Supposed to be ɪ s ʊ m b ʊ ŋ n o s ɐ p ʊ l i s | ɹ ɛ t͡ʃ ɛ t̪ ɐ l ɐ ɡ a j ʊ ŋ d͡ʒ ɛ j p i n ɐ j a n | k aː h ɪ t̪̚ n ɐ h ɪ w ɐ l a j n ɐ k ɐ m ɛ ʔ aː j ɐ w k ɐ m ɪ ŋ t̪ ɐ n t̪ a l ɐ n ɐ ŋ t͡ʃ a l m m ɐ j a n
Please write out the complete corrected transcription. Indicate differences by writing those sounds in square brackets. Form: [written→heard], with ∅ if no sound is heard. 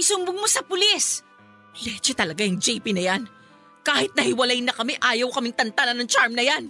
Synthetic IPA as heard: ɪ s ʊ m b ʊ ŋ [n→m] o s ɐ p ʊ l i s | [ɹ→l] ɛ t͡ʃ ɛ t̪ ɐ l ɐ ɡ a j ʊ ŋ d͡ʒ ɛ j p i n ɐ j a n | k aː h ɪ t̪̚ n ɐ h ɪ w ɐ l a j n ɐ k ɐ m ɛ ʔ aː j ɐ w k ɐ m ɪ ŋ t̪ ɐ n t̪ a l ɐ n ɐ ŋ t͡ʃ a [l→ɹ] m [m→n] ɐ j a n